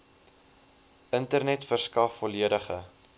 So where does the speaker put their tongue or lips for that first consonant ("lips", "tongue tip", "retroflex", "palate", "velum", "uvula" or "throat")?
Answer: tongue tip